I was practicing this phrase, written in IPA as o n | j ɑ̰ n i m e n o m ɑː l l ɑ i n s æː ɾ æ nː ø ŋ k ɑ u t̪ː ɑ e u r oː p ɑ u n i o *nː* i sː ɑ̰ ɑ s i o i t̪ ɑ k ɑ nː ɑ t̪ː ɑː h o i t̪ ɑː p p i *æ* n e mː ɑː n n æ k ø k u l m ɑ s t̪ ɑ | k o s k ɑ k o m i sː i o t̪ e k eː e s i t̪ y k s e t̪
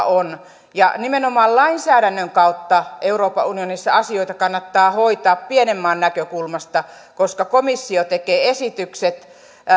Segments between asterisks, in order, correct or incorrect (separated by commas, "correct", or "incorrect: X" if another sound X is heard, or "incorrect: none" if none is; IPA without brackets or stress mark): incorrect: n, incorrect: e